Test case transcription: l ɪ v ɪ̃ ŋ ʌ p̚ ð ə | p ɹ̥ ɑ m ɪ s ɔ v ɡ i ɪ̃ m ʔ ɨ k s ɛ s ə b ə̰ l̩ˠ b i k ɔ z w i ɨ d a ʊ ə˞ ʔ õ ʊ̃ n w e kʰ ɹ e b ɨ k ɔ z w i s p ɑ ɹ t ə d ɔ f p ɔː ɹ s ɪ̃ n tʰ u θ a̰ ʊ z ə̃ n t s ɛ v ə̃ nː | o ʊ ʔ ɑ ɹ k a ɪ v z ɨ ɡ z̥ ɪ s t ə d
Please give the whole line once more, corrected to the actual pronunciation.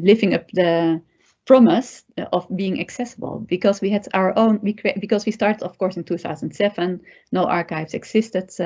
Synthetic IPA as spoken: l ɪ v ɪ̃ ŋ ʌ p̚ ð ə | p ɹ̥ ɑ m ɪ s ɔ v b i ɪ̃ ŋ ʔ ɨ k s ɛ s ə b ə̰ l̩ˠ b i k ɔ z w i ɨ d a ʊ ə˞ ʔ õ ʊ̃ n w i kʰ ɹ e b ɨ k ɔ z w i s t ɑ ɹ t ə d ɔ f k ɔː ɹ s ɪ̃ n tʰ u θ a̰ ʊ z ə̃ n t s ɛ v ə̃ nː | o ʊ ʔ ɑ ɹ k a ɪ v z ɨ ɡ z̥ ɪ s t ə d